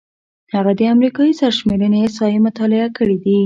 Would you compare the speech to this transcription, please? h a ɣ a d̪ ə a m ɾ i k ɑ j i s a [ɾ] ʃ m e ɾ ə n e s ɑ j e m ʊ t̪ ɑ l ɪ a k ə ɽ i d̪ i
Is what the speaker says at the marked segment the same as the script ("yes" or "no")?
yes